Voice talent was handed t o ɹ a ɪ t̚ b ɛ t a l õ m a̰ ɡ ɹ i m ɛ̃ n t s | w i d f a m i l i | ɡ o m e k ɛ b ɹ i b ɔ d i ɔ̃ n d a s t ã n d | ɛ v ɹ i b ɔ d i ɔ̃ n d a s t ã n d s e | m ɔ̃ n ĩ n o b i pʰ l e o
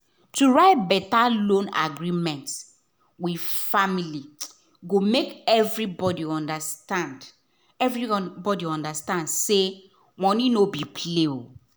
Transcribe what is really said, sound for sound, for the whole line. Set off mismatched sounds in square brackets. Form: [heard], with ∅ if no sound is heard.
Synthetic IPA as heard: t [u] ɹ a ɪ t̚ b ɛ t a l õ [n] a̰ ɡ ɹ i m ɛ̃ n t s | w i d f a m i l i | ɡ o m e k ɛ [v] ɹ i b ɔ d i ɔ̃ n d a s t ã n d | ɛ v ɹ i b ɔ d i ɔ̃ n d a s t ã n d s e | m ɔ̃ n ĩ n o b i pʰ l e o